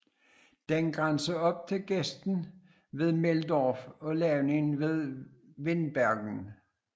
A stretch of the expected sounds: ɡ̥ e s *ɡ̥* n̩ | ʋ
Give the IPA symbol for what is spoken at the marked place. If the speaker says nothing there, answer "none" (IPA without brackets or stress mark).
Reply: d̥